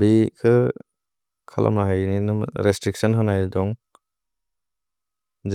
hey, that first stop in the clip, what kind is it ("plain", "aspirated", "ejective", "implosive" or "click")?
plain